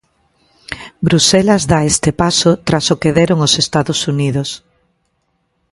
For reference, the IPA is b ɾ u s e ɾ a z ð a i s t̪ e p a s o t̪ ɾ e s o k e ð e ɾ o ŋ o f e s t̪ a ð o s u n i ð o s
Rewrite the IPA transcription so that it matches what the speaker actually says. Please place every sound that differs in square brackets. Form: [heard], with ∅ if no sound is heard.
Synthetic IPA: b ɾ u s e [l] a z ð a [e] s t̪ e p a s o t̪ ɾ [a] s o k e ð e ɾ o ŋ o [s] e s t̪ a ð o s u n i ð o s